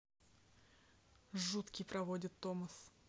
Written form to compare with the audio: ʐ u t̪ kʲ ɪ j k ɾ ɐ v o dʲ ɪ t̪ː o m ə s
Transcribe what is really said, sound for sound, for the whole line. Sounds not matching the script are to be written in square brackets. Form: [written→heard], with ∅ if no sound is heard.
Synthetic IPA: ʐ u t̪ kʲ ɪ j [k→p] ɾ ɐ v o dʲ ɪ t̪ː o m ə s